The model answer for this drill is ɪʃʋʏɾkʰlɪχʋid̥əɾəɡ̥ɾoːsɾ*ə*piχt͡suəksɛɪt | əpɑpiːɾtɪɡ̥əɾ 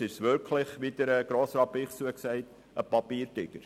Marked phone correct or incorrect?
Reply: incorrect